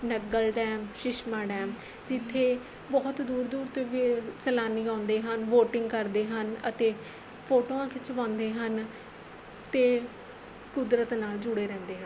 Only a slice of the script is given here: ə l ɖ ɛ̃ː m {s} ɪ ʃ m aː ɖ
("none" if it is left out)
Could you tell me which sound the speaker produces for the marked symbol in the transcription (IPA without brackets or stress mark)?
ʃ